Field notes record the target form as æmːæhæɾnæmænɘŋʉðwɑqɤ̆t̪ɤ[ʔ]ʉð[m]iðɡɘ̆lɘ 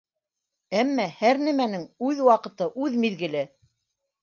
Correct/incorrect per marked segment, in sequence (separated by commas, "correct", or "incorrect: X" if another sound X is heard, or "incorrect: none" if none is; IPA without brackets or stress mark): correct, correct